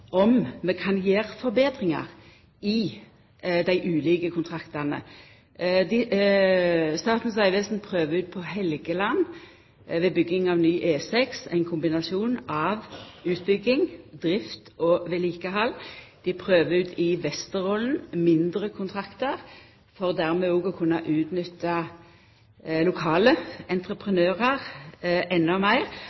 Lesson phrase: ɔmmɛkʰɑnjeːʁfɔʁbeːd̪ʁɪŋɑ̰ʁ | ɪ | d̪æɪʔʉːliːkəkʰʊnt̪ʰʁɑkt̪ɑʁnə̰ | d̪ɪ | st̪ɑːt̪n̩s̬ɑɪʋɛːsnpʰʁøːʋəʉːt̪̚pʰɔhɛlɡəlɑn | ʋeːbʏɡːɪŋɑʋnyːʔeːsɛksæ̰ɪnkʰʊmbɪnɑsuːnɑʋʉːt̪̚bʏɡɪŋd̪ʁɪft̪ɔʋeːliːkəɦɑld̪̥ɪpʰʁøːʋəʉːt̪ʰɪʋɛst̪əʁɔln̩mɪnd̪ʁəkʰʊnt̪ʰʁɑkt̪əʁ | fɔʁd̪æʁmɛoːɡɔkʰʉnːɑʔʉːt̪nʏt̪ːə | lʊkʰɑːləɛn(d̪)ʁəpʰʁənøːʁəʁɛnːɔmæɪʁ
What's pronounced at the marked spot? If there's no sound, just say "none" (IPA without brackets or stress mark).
t̪